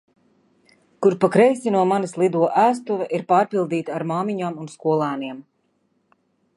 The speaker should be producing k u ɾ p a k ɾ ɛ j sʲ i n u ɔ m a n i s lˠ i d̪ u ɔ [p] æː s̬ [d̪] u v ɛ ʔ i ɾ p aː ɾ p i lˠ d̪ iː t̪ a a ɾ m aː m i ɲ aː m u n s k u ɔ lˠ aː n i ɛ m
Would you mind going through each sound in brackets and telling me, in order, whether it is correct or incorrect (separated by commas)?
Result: incorrect, incorrect